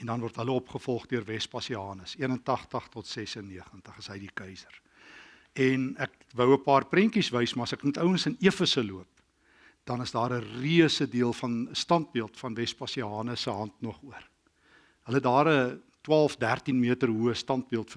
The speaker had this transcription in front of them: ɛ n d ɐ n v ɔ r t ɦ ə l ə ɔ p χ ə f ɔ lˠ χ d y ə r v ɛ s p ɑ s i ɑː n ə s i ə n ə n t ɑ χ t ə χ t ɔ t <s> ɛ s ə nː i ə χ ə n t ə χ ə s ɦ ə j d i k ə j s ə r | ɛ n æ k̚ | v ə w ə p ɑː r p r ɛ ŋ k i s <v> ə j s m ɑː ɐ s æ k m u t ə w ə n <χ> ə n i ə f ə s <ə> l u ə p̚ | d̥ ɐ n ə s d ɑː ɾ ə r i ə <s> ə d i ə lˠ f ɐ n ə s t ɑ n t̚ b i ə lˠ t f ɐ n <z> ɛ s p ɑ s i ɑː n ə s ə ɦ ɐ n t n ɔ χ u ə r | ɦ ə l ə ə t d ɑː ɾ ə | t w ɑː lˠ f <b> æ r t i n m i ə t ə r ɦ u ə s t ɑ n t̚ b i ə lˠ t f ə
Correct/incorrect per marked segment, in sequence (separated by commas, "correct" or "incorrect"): correct, correct, incorrect, correct, correct, incorrect, incorrect